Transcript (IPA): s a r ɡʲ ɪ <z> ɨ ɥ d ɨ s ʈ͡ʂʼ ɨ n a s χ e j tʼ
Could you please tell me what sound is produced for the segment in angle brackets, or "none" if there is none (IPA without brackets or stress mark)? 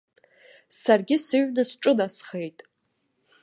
s